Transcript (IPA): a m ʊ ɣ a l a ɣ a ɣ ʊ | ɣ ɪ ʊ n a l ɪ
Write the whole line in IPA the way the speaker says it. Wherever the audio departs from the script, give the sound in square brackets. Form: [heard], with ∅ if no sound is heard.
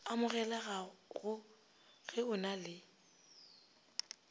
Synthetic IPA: a m ʊ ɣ [ɛ] l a ɣ a ɣ ʊ | ɣ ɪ ʊ n a l ɪ